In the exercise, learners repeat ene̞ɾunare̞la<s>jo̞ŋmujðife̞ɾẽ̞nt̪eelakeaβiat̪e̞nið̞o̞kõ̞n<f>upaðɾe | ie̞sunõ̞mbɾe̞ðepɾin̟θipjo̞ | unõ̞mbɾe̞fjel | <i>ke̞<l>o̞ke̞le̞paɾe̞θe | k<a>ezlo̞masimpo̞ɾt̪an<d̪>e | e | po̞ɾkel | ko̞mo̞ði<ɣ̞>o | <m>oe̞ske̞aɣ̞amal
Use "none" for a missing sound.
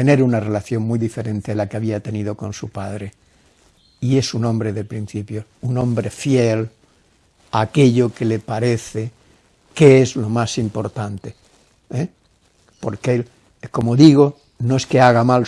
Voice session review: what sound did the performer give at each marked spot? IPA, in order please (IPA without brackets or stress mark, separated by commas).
θ, s, a, ʎ, e, t̪, ɣ̞, n